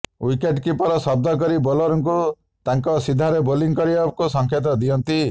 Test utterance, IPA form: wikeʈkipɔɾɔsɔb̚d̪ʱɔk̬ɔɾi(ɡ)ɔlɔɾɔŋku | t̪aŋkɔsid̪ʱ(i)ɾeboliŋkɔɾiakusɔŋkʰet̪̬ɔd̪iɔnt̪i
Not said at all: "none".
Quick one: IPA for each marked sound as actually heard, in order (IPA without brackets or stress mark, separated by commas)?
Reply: b, a